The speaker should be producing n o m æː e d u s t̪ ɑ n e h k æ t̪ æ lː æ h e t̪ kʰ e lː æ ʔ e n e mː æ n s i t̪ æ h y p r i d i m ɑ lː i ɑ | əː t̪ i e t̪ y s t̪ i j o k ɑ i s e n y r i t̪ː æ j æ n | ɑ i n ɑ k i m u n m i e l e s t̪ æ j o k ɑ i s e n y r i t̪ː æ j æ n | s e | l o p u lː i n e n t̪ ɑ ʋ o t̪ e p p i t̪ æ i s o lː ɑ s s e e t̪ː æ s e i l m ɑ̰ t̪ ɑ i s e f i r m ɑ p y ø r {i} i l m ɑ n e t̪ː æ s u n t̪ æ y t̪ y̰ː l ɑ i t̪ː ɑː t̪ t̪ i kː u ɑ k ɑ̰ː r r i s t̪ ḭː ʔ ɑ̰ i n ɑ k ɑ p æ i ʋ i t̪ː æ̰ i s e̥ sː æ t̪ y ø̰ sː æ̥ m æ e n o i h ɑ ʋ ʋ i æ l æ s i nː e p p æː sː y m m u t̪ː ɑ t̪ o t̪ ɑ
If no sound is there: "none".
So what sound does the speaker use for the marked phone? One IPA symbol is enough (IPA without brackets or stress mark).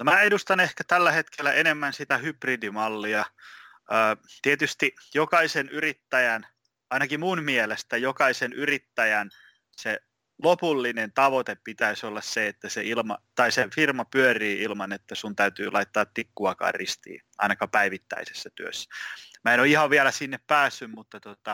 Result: iː